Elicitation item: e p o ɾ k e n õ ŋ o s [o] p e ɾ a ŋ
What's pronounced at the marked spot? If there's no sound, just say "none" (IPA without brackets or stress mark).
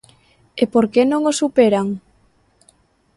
u